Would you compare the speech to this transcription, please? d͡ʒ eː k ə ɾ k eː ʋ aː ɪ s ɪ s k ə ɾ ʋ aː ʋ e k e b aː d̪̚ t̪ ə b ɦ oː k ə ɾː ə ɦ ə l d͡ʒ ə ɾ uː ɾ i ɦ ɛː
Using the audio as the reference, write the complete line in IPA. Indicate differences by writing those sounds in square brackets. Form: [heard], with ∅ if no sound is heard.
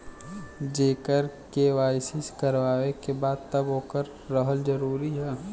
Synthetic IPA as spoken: d͡ʒ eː k ə ɾ k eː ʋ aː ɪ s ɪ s k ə ɾ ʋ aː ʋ e k e b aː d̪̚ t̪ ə b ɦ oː k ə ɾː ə ɦ ə l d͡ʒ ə ɾ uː ɾ i ɦ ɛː